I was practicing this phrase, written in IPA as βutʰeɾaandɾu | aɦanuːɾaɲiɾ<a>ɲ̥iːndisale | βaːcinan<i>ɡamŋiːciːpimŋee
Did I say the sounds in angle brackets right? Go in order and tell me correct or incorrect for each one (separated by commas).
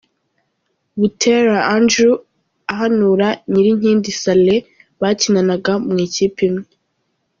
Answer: incorrect, incorrect